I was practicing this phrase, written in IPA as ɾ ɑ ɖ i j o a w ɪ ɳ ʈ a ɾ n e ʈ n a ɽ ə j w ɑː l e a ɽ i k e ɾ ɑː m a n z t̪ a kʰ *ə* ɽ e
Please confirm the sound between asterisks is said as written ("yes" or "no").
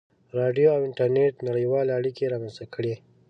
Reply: yes